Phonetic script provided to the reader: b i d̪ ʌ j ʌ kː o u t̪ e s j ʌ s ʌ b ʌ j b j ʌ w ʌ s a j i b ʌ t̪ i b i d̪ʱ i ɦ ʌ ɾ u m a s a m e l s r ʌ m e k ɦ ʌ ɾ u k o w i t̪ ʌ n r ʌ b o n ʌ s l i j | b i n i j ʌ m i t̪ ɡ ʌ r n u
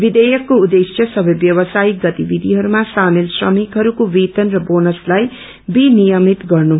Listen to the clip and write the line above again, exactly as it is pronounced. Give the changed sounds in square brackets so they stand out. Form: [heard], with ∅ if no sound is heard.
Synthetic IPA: b i d̪ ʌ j ʌ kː o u [d̪] e s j ʌ s ʌ b ʌ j b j ʌ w ʌ s a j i [ɡ] ʌ t̪ i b i d̪ʱ i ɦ ʌ ɾ u m a s a m e l s r ʌ m [i] k ɦ ʌ ɾ u k o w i t̪ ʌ n r ʌ b o n ʌ s l [a] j | b i n i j ʌ m i t̪ ɡ ʌ r n u